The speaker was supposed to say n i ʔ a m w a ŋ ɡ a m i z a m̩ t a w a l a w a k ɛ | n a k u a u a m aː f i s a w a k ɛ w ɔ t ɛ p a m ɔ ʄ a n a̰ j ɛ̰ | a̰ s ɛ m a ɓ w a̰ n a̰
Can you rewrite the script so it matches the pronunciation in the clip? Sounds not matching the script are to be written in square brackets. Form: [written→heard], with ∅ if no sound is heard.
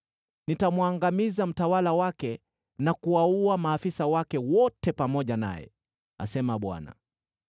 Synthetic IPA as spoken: n i [ʔ→t] a m w a ŋ ɡ a m i z a m̩ t a w a l a w a k ɛ | n a k u a u a m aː f i s a w a k ɛ w ɔ t ɛ p a m ɔ ʄ a n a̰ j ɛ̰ | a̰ s ɛ m a ɓ w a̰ n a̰